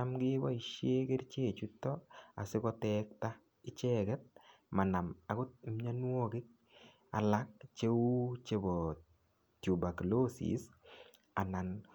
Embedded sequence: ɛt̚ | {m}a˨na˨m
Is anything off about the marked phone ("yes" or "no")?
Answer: no